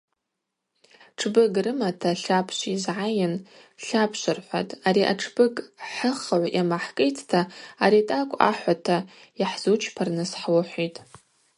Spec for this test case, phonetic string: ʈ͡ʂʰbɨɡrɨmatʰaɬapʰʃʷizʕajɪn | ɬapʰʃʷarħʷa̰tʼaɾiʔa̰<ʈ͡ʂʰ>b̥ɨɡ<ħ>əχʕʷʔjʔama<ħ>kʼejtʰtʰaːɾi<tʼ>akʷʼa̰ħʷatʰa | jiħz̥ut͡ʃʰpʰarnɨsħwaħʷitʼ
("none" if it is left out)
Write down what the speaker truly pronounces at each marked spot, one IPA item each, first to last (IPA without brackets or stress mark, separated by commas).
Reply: ʈ͡ʂʰ, ħ, ħ, tʼ